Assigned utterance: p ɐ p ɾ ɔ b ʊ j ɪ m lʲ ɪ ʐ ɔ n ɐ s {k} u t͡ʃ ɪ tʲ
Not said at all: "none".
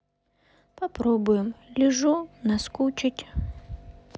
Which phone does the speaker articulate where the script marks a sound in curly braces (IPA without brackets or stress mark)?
k